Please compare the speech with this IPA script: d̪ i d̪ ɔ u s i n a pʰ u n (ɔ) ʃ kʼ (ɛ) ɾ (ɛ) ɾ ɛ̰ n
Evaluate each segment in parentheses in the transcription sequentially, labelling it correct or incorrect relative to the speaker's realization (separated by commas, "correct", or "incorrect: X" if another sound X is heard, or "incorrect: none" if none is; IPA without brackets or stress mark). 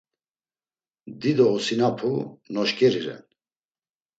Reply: correct, correct, incorrect: i